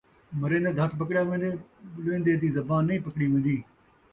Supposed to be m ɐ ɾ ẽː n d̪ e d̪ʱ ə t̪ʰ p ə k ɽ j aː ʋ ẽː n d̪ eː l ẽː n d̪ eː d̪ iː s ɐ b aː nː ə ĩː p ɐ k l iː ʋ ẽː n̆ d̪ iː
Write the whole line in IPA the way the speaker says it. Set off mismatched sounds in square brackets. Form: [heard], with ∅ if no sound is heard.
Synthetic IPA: m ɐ ɾ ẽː n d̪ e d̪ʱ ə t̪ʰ p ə k ɽ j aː ʋ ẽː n d̪ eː l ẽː n d̪ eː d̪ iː [z] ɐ b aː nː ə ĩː p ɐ k [ɽ] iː ʋ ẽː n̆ d̪ iː